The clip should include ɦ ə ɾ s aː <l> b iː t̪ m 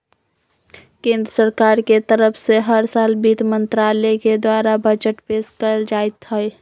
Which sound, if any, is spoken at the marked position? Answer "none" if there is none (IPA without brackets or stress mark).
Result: l